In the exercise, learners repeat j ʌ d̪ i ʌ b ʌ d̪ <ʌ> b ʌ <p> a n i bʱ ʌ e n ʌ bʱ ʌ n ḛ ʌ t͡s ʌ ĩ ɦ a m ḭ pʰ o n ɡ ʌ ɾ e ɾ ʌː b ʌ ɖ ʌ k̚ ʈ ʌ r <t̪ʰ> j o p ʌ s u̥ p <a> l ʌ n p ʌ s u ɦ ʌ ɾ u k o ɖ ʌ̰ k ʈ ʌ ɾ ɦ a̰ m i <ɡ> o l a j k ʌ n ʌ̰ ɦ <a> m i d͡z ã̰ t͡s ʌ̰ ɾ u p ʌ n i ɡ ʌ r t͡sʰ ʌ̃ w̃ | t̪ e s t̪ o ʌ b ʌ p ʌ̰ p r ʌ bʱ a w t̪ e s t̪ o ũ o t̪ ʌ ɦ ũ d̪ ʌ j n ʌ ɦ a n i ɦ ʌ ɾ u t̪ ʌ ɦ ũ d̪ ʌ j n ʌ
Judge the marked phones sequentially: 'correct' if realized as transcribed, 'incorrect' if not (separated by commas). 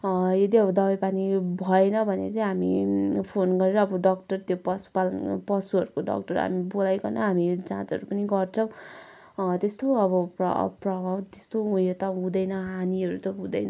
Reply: correct, correct, incorrect, correct, incorrect, correct